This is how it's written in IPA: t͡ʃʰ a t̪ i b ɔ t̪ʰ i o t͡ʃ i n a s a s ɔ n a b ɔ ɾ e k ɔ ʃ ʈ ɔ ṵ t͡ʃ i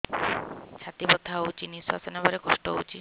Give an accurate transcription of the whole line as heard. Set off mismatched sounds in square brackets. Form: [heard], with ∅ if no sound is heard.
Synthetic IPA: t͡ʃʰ a t̪ i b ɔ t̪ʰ [a] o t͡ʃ i n [i] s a s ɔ n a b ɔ ɾ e k ɔ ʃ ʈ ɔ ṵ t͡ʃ i